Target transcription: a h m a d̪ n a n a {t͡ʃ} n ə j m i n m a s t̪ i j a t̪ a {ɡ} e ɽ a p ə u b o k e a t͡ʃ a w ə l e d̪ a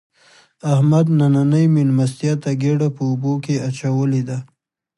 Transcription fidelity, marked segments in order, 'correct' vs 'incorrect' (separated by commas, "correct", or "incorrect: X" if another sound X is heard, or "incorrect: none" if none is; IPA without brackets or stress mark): incorrect: none, correct